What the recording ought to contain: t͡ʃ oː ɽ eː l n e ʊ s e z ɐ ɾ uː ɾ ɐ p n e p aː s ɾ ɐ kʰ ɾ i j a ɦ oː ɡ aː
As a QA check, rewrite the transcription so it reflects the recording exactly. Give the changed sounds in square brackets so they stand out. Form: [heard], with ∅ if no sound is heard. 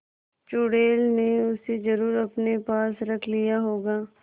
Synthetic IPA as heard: t͡ʃ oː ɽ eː l n e ʊ s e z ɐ ɾ uː ɾ ɐ p n e p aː s ɾ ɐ kʰ [l] i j a ɦ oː ɡ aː